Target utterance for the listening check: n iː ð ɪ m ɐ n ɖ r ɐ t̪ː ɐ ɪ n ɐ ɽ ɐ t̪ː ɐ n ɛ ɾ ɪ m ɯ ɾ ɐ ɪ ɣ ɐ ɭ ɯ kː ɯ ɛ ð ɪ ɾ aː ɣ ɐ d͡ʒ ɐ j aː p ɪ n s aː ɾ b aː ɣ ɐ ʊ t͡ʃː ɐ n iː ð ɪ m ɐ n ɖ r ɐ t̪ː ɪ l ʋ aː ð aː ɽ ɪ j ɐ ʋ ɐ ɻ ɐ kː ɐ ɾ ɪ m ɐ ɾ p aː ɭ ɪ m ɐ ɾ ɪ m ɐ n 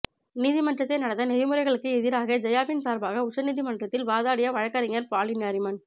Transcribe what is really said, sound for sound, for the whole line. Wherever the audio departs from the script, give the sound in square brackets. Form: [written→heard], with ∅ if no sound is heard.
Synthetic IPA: n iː ð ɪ m ɐ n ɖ r ɐ t̪ː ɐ ɪ n ɐ ɽ ɐ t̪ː ɐ n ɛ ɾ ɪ m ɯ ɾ ɐ ɪ ɣ ɐ ɭ ɯ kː ɯ ɛ ð ɪ ɾ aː ɣ ɐ d͡ʒ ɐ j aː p ɪ n s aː ɾ b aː ɣ ɐ ʊ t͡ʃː ɐ n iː ð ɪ m ɐ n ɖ r ɐ t̪ː ɪ l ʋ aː ð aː ɽ ɪ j ɐ ʋ ɐ ɻ ɐ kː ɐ ɾ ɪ [m→ŋ] ɐ ɾ p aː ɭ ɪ [m→n] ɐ ɾ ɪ m ɐ n